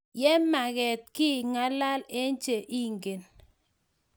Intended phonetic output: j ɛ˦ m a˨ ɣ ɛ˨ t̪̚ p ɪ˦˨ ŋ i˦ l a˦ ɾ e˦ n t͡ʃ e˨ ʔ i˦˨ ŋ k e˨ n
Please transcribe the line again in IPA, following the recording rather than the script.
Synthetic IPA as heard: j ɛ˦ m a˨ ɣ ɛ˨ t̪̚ k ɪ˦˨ ŋ a˦ l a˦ l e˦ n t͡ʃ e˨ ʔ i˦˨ ŋ ɡ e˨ n